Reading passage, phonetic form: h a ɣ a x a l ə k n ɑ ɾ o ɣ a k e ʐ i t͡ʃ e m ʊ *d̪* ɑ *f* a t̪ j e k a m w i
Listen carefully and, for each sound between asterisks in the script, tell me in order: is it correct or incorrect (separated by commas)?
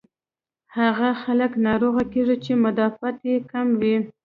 correct, correct